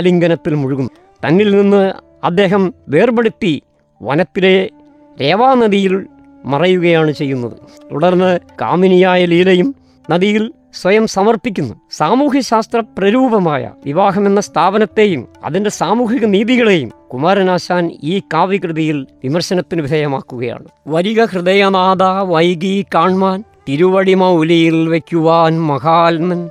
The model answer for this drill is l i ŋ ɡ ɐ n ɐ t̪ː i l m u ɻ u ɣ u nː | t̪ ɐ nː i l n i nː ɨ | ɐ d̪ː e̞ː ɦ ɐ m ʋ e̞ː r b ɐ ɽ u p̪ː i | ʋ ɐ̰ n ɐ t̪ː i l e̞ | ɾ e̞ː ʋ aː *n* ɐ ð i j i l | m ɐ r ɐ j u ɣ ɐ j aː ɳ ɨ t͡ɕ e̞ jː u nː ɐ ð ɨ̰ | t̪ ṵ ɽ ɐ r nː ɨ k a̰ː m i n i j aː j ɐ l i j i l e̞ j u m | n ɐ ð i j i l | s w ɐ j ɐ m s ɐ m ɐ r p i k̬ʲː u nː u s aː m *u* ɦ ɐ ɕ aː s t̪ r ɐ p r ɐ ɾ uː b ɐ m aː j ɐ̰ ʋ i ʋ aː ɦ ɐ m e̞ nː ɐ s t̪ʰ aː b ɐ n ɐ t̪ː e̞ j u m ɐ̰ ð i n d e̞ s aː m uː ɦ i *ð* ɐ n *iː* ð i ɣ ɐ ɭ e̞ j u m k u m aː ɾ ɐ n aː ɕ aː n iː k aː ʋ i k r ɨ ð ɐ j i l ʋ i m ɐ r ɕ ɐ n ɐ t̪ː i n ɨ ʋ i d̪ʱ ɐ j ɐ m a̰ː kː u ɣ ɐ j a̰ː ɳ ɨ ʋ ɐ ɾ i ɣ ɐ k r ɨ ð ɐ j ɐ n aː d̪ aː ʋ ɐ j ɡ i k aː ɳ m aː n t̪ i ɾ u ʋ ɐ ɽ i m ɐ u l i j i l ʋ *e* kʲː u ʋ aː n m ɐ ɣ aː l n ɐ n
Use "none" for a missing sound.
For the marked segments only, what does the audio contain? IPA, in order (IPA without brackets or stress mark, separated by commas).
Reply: n, uː, ɣ, iː, e